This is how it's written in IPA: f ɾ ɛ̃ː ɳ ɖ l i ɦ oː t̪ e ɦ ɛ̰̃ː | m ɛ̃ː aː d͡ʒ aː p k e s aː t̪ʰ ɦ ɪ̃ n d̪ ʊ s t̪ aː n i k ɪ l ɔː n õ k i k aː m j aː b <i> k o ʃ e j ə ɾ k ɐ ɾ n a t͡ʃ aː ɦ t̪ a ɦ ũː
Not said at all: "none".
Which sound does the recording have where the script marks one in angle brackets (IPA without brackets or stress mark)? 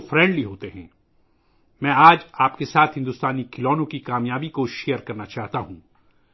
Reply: i